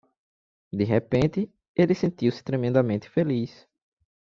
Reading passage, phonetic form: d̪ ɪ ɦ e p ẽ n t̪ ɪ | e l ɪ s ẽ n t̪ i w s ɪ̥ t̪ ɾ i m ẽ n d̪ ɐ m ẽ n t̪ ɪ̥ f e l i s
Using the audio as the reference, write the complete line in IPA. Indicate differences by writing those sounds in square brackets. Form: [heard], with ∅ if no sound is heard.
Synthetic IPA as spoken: d̪ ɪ ɦ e p ẽ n t̪ ɪ | e l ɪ s ẽ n t̪ i w s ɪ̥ t̪ ɾ [e] m ẽ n d̪ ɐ m ẽ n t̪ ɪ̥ f e l i s